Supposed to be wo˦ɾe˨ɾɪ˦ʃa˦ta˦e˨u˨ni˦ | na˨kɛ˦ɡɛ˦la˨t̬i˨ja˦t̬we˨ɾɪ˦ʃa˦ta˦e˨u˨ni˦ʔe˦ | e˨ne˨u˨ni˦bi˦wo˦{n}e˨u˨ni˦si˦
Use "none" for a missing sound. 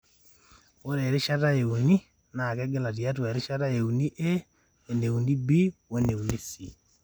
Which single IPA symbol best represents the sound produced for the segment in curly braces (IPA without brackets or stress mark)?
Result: n